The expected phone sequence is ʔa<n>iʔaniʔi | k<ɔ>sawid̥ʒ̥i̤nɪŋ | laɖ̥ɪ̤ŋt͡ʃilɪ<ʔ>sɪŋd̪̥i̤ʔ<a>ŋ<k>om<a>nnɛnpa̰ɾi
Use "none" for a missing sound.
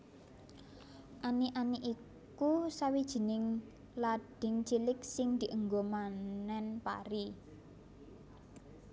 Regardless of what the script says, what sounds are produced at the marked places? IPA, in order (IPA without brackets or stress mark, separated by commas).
n, u, k, ə, ɡ, a